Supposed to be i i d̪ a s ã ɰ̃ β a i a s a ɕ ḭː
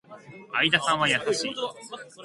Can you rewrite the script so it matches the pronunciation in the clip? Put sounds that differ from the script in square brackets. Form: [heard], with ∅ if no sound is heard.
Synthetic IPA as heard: [a] i d̪ a s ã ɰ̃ β a [j] a s a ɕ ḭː